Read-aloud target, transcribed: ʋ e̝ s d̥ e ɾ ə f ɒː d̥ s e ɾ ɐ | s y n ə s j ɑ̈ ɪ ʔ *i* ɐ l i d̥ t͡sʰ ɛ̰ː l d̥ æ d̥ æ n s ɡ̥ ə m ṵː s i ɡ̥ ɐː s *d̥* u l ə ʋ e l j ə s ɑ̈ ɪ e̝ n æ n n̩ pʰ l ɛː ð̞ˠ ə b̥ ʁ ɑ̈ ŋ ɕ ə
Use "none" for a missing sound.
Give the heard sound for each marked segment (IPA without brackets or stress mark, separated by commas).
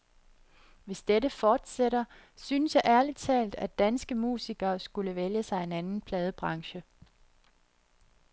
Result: æ, ɡ̥